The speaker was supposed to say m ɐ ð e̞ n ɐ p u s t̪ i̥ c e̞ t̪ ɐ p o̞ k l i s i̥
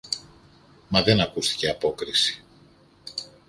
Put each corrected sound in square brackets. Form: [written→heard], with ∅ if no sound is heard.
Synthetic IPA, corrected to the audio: m ɐ ð e̞ n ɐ [p→k] u s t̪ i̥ c e̞ [t̪→∅] ɐ p o̞ k [l→ɾ] i s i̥